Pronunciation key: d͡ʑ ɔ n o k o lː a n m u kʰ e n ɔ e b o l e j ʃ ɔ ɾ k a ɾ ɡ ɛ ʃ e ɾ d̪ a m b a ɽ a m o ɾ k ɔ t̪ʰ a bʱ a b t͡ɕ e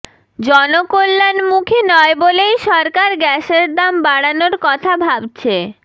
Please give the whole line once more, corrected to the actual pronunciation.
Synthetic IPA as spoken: d͡ʑ ɔ n o k o lː a n m u kʰ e n ɔ e b o l e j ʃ ɔ ɾ k a ɾ ɡ ɛ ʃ e ɾ d̪ a m b a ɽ a n o ɾ k ɔ t̪ʰ a bʱ a b t͡ɕʰ e